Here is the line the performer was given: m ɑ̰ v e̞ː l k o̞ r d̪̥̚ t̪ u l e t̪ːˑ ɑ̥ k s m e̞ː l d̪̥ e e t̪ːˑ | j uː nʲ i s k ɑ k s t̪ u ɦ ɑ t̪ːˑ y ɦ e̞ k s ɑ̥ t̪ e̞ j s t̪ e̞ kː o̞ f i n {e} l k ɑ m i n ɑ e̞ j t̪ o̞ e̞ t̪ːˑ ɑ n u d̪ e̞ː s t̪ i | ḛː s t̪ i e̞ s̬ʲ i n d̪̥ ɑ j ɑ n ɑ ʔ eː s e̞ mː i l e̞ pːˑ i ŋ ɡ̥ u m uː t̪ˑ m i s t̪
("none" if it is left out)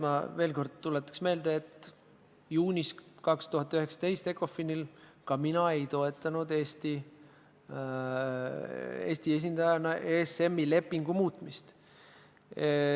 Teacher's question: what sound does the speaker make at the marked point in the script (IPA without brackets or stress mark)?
i